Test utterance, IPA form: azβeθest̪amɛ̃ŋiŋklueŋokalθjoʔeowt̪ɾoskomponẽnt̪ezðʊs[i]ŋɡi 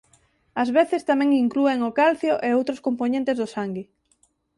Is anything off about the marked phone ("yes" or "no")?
yes